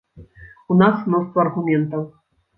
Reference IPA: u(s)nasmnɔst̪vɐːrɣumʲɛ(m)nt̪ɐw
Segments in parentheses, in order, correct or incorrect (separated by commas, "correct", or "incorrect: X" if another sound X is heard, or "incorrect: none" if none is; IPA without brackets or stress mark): incorrect: none, incorrect: none